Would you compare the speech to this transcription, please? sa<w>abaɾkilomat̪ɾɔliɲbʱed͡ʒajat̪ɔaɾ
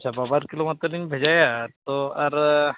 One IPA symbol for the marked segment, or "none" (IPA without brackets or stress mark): b